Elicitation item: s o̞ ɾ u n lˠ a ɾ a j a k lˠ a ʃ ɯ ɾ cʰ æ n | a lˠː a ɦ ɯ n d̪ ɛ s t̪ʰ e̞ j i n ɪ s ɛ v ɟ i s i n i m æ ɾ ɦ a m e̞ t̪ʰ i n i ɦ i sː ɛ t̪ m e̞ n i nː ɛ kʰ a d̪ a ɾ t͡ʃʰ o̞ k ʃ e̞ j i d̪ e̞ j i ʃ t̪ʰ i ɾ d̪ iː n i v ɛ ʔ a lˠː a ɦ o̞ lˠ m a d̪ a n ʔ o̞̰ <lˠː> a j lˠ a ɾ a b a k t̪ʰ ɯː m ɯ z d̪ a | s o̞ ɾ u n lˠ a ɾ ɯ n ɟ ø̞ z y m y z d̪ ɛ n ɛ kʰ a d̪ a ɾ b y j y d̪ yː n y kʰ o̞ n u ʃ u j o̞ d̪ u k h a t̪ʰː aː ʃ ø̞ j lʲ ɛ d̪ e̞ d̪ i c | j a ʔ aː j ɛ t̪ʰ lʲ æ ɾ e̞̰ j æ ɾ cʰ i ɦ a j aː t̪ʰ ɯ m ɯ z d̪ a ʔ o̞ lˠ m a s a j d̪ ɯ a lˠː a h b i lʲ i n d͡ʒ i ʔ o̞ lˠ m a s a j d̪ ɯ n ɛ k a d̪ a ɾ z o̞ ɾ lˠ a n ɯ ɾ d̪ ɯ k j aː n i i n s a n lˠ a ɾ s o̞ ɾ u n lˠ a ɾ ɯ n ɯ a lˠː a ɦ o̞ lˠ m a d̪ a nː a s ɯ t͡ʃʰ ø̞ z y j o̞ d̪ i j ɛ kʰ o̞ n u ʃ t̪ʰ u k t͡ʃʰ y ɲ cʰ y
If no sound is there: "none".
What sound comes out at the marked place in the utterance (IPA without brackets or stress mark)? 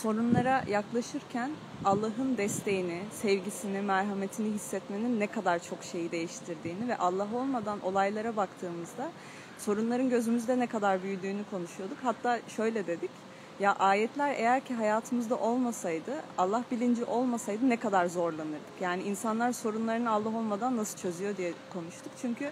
lˠ